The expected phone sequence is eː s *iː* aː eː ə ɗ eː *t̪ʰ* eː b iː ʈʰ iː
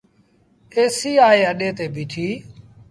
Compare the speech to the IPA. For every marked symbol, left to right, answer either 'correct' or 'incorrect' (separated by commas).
correct, incorrect